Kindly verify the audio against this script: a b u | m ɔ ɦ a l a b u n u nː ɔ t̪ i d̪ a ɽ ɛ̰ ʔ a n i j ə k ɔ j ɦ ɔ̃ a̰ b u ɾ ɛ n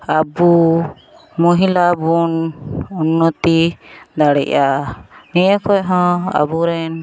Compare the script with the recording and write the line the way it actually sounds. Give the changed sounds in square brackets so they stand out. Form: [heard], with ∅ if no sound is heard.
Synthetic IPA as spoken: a b u | m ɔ ɦ [i] l a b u n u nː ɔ t̪ i d̪ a ɽ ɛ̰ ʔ a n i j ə k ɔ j ɦ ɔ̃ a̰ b u ɾ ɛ n